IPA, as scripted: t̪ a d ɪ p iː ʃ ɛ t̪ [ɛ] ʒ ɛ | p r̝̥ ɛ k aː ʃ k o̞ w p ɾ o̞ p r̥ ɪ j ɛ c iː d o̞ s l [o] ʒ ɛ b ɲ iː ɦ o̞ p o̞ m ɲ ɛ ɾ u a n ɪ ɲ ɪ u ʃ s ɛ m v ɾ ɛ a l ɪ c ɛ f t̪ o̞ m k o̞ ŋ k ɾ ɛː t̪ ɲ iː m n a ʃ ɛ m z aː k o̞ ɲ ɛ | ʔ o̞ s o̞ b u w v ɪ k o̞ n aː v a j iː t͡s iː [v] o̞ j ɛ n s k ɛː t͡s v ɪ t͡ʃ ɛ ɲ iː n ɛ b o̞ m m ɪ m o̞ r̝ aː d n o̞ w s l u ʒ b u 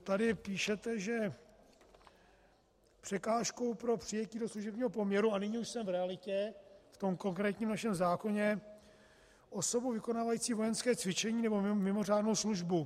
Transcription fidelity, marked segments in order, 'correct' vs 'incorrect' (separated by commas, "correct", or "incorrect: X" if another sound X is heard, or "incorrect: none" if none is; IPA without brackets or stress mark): correct, incorrect: u, correct